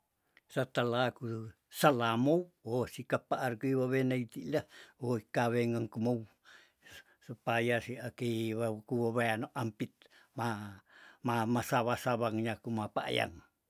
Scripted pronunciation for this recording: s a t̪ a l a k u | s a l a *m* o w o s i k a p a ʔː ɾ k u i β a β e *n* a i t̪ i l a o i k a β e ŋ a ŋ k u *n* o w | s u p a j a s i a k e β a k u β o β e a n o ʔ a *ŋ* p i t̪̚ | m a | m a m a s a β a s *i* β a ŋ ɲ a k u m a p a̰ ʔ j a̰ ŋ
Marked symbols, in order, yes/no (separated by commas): yes, yes, no, no, no